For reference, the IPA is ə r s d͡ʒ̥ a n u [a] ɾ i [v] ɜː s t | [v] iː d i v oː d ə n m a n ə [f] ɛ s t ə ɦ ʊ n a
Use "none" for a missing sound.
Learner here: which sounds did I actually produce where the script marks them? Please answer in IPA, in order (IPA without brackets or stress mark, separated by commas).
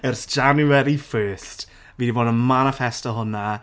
ɛ, f, v, f